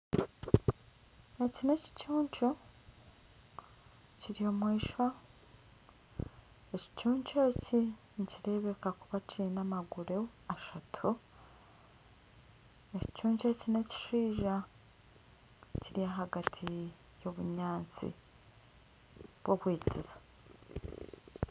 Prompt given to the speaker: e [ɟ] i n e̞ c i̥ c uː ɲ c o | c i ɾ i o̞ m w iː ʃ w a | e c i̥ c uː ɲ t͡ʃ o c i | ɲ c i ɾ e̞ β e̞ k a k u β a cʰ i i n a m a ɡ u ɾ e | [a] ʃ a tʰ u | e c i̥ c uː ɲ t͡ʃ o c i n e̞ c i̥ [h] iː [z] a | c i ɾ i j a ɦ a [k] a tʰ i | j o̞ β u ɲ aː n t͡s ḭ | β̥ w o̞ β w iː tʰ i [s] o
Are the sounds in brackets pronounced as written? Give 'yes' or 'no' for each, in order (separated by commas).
no, yes, no, no, no, no